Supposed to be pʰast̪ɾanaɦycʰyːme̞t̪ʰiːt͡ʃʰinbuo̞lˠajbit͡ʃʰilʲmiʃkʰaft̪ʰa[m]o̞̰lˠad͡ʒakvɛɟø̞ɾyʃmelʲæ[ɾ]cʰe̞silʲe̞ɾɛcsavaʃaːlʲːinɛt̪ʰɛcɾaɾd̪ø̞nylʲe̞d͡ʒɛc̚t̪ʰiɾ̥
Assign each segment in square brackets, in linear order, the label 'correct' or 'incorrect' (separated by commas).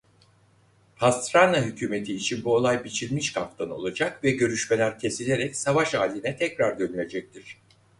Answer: incorrect, correct